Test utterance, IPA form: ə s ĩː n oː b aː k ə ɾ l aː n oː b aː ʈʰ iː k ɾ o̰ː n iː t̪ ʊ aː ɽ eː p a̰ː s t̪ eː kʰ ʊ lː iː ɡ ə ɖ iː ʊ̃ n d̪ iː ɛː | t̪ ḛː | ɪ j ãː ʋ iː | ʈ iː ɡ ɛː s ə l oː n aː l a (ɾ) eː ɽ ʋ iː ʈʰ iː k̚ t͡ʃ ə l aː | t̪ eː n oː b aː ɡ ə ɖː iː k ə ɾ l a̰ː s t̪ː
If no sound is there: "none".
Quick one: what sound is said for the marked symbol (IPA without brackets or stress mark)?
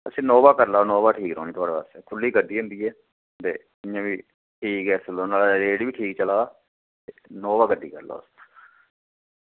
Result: ɾ